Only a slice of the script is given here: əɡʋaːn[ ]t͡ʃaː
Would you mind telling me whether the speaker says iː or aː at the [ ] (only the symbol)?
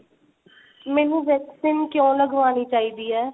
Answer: iː